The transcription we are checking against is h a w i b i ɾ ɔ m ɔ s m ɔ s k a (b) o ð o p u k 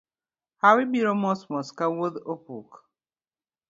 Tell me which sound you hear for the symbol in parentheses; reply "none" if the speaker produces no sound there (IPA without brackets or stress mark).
w